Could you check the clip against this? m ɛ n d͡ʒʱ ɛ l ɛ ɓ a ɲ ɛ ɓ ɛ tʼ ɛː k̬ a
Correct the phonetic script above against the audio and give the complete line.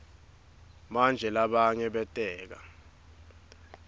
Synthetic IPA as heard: m a n d͡ʒʱ ɛ l a ɓ a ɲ ɛ ɓ ɛ tʼ ɛː k̬ a